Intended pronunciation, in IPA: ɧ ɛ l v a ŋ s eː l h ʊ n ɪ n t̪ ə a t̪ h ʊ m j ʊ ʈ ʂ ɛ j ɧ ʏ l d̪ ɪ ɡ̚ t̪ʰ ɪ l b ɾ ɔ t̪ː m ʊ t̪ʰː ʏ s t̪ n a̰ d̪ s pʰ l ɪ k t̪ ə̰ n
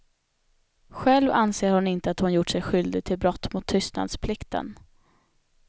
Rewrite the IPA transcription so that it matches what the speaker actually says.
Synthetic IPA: ɧ ɛ l v a n s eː ɾ h ʊ n ɪ n t̪ ə a t̪ h ʊ n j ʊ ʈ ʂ ɛ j ɧ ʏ l d̪ ɪ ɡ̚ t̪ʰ ɪ l b ɾ ɔ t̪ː m ʊ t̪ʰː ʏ s t̪ n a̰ d̪ s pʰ l ɪ k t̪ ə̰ n